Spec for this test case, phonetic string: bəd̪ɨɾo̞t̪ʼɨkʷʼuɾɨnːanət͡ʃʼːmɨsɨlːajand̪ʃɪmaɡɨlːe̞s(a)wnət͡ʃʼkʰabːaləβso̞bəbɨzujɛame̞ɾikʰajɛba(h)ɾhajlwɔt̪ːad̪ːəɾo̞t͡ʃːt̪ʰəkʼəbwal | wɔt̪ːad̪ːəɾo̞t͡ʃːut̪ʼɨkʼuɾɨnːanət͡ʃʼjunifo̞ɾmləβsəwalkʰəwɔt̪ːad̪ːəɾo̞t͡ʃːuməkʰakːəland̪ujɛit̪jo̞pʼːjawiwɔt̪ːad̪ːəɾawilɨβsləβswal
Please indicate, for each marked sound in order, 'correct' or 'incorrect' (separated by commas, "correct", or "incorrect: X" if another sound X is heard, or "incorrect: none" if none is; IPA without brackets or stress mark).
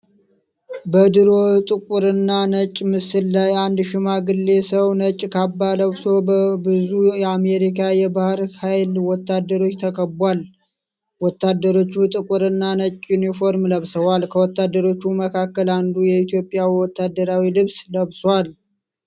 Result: incorrect: ə, correct